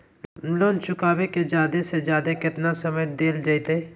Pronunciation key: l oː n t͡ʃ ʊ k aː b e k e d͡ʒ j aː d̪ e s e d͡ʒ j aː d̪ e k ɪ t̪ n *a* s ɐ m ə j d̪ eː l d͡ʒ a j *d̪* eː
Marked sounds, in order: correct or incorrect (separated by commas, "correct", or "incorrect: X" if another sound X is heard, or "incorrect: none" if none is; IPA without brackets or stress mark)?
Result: correct, incorrect: t̪